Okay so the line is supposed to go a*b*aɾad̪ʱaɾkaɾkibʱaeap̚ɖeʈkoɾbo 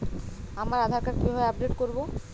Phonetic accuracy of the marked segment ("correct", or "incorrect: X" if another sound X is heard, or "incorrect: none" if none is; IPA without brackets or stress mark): incorrect: m